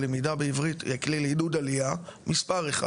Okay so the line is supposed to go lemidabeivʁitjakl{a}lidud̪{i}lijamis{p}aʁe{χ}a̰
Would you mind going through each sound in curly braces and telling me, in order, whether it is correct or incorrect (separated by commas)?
incorrect, incorrect, correct, correct